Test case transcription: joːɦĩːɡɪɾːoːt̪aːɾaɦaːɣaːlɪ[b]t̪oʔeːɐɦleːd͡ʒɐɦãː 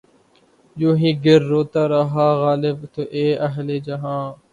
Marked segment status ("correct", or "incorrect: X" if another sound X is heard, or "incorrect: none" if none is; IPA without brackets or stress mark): correct